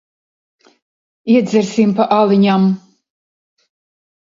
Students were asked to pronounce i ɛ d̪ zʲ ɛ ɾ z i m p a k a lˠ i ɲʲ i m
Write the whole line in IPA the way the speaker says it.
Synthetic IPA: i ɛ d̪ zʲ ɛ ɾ s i m p a ʔ a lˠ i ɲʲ a m